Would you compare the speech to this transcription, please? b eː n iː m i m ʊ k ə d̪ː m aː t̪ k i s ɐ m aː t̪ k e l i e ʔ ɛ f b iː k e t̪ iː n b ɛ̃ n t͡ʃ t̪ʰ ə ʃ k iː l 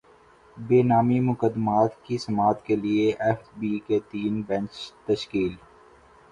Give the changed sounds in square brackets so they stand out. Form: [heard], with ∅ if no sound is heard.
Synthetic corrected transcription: b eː n [aː] m i m ʊ k ə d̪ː m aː t̪ k i s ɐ m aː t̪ k e l i e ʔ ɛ f b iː k e t̪ iː n b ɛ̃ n t͡ʃ [t̪] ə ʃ k iː l